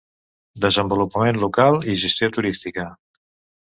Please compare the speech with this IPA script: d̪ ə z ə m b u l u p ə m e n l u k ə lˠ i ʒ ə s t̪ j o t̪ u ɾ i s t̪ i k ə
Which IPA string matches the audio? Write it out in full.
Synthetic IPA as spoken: d̪ ə z ə m b u l u p ə m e n l u k a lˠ i ʒ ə s t̪ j o t̪ u ɾ i s t̪ i k ə